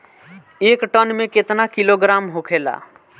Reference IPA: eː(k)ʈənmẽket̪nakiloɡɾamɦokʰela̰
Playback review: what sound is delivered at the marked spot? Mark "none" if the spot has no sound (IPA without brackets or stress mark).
k